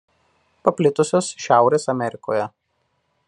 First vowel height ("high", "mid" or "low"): low